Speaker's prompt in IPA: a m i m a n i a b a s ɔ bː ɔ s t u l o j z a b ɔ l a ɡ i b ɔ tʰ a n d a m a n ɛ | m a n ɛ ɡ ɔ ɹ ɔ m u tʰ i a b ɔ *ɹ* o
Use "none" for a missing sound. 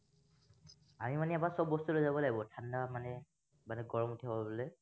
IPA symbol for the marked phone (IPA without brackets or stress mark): l